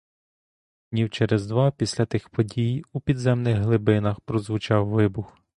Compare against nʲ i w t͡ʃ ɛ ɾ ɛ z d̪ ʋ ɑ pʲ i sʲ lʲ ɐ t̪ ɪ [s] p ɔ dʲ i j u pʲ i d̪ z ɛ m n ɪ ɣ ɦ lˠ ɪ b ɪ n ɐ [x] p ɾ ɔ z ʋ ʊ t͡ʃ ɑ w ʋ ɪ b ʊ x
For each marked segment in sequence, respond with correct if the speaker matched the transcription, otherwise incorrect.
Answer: incorrect: x, correct

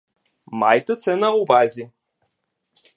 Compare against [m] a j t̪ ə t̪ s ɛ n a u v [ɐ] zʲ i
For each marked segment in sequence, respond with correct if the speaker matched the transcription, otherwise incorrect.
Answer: correct, incorrect: a

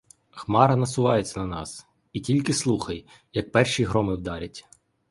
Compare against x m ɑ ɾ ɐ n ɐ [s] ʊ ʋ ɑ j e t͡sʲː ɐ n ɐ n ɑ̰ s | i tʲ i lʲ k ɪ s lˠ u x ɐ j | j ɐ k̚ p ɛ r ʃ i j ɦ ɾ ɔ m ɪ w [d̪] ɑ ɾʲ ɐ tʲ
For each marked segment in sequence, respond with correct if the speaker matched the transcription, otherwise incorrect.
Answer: correct, correct

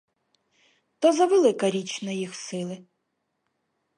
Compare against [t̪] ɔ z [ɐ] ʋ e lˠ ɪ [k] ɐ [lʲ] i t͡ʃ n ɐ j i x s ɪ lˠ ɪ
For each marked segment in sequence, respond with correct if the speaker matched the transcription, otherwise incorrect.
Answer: correct, correct, correct, incorrect: ɾʲ

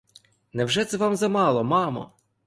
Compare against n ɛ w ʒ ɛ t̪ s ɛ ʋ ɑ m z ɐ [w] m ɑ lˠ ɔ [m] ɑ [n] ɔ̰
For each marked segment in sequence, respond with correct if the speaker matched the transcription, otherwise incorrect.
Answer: incorrect: none, correct, incorrect: m

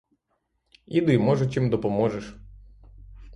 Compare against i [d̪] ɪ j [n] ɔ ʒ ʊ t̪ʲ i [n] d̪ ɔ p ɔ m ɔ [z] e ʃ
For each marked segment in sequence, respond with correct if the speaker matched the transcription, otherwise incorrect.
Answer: correct, incorrect: m, incorrect: m, incorrect: ʒ

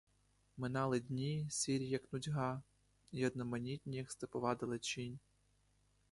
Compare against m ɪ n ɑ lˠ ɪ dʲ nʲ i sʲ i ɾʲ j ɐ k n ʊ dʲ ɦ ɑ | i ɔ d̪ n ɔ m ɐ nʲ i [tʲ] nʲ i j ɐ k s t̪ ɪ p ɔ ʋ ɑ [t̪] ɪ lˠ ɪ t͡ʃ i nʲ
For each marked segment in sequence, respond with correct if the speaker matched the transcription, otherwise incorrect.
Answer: correct, incorrect: d̪

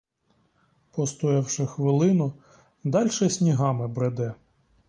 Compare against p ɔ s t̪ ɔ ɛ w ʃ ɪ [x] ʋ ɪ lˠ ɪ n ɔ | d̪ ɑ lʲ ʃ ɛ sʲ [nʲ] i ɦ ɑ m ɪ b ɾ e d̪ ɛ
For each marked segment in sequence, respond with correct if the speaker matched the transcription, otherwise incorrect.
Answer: correct, correct

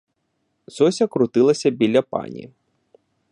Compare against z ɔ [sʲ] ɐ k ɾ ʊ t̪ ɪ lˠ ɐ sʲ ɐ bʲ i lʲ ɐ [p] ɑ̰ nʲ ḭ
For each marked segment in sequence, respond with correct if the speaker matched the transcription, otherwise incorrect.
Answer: correct, correct

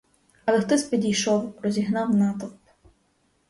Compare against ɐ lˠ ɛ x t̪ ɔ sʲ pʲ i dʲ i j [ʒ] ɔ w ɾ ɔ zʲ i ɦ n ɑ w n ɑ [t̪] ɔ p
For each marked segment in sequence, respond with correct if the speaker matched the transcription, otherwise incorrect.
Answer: incorrect: ʃ, correct

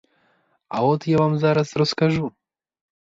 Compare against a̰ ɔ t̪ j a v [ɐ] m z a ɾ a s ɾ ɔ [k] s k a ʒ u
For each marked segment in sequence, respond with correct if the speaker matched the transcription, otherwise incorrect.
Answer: incorrect: a, incorrect: none

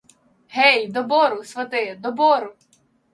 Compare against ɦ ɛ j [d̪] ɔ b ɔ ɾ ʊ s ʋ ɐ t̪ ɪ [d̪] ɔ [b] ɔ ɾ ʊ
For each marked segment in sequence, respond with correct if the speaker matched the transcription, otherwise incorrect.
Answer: correct, correct, correct

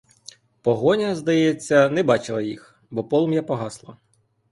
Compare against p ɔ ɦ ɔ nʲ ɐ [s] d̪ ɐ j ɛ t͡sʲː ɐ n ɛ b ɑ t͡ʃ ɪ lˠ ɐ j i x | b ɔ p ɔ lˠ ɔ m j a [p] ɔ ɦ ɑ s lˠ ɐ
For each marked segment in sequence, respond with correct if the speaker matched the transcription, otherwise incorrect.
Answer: incorrect: z, correct

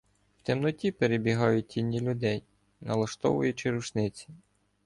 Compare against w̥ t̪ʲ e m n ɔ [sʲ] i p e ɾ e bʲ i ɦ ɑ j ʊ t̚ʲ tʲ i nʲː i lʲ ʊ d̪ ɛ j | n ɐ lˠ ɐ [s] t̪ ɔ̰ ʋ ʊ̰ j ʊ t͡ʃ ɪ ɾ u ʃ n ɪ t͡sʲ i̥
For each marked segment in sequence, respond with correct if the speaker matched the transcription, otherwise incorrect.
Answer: incorrect: tʲ, incorrect: ʃ

